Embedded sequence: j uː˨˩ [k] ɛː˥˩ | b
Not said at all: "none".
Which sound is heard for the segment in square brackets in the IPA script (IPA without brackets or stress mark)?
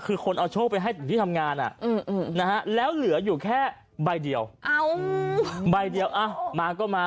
kʰ